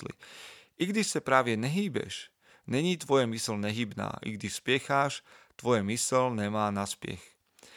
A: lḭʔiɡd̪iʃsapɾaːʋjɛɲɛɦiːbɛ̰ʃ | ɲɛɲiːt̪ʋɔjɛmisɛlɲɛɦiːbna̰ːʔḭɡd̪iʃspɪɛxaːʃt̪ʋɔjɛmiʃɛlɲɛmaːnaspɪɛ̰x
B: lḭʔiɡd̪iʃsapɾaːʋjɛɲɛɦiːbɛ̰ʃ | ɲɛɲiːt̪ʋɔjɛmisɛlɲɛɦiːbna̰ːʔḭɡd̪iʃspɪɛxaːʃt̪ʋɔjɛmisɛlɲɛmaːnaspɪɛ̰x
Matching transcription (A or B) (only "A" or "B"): B